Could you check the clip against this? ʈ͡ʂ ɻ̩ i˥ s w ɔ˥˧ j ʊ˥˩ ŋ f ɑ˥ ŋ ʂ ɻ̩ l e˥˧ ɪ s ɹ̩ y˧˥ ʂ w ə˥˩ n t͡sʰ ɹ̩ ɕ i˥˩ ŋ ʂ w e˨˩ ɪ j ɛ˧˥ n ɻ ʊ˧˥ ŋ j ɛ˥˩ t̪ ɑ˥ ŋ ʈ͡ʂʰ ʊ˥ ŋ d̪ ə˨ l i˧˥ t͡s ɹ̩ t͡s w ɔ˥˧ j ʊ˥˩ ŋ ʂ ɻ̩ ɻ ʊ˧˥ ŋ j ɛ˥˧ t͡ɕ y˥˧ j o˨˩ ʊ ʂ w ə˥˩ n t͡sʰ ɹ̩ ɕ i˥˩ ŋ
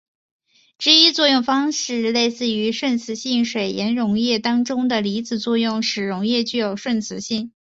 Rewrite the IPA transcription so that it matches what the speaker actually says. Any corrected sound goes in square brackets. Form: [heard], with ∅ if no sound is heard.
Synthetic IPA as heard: ʈ͡ʂ ɻ̩ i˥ [t͡s] w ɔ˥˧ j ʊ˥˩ ŋ f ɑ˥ ŋ ʂ ɻ̩ l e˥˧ ɪ s ɹ̩ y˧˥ ʂ w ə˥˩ n t͡sʰ ɹ̩ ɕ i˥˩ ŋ ʂ w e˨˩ ɪ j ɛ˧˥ n ɻ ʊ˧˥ ŋ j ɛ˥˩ t̪ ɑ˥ ŋ [ʈ͡ʂ] ʊ˥ ŋ d̪ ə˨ l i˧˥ t͡s ɹ̩ t͡s w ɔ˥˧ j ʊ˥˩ ŋ ʂ ɻ̩ ɻ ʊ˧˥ ŋ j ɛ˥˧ t͡ɕ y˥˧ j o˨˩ ʊ ʂ w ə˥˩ n t͡sʰ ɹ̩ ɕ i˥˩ ŋ